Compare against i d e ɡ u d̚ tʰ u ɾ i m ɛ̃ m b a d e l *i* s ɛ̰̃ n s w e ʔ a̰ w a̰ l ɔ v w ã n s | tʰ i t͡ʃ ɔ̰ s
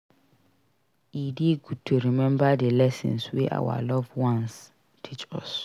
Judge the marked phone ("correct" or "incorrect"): incorrect